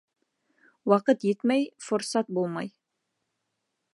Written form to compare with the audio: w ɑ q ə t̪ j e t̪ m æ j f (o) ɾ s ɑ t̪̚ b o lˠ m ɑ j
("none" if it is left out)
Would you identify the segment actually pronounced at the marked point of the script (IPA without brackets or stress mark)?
o